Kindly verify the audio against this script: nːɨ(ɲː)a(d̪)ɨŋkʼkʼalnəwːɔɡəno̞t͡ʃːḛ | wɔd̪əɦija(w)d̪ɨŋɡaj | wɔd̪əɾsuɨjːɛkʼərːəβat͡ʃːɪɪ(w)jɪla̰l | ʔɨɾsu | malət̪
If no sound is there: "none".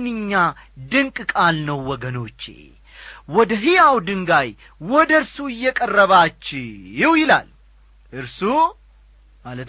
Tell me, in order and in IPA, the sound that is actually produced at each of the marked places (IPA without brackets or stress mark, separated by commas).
ɲː, d̪, w, w